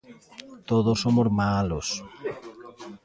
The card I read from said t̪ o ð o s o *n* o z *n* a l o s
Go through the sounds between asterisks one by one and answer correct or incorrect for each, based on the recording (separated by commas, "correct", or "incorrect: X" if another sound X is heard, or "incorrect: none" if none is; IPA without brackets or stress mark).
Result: incorrect: m, incorrect: m